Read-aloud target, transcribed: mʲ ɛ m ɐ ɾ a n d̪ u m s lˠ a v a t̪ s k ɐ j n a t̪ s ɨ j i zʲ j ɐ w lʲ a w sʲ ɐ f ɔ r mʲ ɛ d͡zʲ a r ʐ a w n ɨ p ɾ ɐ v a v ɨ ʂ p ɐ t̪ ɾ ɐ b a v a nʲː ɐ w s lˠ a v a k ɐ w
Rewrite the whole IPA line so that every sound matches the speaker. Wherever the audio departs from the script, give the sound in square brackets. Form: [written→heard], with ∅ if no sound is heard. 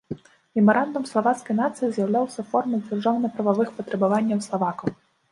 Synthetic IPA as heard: mʲ ɛ m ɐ ɾ a n d̪ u m s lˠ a v a t̪ s k ɐ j n a t̪ s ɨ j i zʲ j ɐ w lʲ a w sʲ ɐ f ɔ r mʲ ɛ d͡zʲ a r ʐ a w n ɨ p ɾ ɐ v a v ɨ [ʂ→x] p ɐ t̪ ɾ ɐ b a v a nʲː ɐ w s lˠ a v a k ɐ w